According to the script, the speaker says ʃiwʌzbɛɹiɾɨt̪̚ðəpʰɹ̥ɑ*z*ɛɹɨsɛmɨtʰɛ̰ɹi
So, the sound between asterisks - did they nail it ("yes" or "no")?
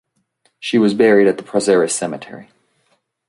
yes